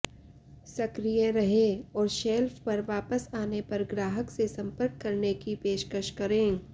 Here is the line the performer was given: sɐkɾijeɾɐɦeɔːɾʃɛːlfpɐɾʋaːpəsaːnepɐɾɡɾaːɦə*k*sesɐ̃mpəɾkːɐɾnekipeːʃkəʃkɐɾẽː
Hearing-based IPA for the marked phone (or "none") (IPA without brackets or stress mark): k